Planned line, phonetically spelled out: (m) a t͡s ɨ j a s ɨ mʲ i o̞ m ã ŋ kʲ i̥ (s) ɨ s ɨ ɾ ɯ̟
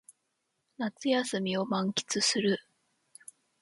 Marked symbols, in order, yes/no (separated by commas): no, no